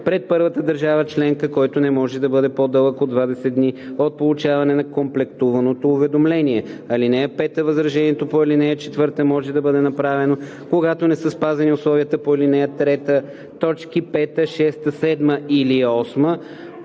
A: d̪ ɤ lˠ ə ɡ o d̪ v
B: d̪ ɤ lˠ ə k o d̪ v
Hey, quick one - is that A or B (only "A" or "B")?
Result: B